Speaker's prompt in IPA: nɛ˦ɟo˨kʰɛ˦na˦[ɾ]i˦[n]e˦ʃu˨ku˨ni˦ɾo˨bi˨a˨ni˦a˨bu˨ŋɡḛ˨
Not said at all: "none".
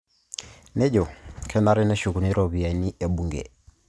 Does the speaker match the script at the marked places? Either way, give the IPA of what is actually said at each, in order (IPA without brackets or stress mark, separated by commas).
ɾ, n